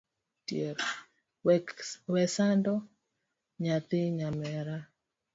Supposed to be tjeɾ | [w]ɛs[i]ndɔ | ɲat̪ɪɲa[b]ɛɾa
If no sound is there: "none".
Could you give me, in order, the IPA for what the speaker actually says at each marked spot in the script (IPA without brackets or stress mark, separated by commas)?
w, a, m